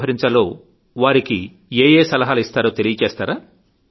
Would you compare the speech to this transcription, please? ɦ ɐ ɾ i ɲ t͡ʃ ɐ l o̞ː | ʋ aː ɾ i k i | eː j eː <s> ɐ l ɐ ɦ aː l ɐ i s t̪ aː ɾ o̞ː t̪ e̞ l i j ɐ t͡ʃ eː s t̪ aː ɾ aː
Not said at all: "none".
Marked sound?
s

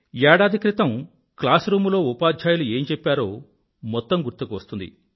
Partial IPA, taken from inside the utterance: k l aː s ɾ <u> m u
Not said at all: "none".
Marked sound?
uː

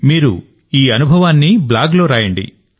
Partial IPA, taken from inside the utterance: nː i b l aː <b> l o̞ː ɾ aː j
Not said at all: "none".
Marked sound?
ɡ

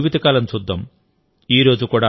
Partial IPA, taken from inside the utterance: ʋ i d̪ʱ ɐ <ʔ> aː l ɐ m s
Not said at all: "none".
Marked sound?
k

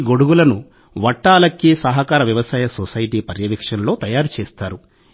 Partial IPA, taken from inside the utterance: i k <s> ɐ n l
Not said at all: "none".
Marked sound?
ʂ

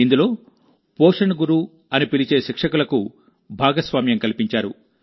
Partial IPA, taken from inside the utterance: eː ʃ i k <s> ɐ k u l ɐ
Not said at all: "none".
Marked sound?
ʂ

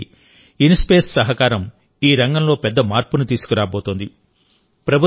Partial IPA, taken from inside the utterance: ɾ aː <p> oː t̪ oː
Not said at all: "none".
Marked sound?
b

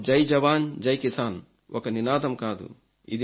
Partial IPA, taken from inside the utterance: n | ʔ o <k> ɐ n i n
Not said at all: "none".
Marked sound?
k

